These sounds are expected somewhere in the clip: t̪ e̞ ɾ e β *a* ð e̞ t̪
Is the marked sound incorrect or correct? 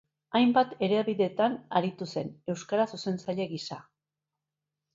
incorrect